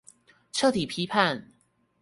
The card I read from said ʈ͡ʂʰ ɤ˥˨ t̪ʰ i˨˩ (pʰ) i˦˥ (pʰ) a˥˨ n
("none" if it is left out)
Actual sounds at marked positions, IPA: pʰ, pʰ

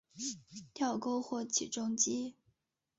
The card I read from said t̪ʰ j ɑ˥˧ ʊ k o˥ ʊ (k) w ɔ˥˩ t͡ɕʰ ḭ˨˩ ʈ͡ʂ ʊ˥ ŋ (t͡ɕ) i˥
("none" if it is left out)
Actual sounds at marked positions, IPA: x, t͡ɕ

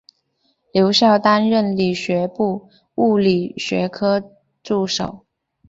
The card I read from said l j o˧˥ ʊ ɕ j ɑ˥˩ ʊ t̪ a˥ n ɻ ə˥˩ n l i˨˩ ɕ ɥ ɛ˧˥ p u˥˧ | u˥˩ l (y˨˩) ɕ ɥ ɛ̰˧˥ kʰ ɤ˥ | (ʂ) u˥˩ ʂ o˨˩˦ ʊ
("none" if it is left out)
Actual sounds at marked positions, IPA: i˨˩, ʈ͡ʂ

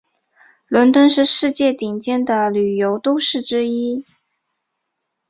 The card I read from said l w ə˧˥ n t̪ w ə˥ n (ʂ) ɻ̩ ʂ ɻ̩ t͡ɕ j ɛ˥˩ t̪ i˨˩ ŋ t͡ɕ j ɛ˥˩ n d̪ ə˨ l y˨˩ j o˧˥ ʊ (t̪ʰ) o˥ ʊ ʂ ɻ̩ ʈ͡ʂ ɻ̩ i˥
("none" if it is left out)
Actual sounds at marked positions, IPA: ʂ, t̪

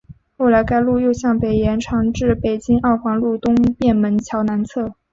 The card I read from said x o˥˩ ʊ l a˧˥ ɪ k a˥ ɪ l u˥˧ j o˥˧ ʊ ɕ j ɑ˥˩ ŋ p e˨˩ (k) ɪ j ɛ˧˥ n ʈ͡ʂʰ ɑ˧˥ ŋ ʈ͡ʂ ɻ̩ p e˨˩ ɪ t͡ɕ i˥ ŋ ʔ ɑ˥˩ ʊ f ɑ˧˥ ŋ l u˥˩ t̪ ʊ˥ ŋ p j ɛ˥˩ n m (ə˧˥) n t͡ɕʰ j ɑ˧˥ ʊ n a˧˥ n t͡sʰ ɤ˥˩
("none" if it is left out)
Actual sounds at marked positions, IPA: none, ə˧˥

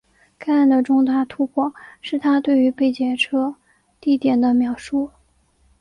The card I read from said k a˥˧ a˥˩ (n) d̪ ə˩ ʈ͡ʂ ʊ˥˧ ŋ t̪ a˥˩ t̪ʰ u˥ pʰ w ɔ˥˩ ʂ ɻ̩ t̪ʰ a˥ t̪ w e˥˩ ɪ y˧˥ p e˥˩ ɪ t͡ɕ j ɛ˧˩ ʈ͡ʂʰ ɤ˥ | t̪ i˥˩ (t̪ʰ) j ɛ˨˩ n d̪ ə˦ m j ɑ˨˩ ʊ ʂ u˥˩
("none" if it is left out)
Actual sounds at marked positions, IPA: n, t̪

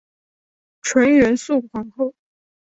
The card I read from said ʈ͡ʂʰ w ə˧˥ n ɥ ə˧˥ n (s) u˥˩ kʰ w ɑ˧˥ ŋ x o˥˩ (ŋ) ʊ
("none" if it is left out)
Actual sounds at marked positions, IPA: s, none

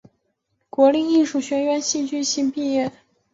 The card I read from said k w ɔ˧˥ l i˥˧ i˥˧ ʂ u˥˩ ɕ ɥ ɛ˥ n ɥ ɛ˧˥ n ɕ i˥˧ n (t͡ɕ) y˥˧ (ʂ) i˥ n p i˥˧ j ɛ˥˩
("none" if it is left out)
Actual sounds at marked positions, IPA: t͡ɕ, ɕ

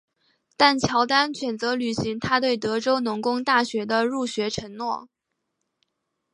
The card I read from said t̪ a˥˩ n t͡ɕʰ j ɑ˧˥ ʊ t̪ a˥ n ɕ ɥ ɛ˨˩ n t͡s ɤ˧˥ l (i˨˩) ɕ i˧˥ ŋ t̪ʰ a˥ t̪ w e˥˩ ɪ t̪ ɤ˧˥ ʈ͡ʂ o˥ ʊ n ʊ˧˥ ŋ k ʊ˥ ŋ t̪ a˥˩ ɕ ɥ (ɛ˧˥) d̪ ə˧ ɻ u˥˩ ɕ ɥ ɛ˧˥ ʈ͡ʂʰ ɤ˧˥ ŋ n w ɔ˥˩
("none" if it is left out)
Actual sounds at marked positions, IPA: y˨˩, ɛ˧˥

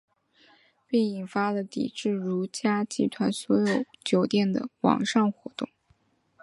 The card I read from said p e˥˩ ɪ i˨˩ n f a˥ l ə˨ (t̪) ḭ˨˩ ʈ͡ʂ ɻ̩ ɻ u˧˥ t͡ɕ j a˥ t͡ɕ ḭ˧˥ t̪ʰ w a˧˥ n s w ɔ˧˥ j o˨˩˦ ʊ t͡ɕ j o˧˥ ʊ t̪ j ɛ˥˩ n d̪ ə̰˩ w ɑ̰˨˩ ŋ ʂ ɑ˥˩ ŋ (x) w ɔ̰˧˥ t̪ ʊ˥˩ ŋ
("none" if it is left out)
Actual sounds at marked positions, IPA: t̪, x

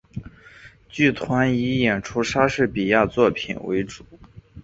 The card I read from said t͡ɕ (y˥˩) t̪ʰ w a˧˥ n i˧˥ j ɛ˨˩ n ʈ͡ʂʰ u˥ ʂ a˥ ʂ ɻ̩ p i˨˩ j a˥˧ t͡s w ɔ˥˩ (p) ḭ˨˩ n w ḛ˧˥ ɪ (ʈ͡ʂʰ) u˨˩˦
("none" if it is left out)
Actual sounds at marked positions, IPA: y˥˩, pʰ, ʈ͡ʂ

